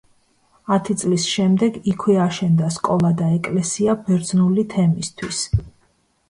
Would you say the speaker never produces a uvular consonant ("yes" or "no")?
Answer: yes